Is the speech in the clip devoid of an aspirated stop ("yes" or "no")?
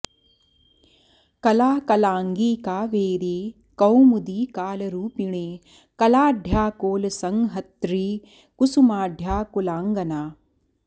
yes